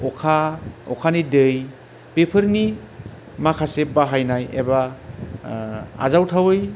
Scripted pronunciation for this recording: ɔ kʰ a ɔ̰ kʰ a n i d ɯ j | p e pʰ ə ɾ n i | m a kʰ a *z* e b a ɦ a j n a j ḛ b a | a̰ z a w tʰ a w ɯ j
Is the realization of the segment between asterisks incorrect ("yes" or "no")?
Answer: yes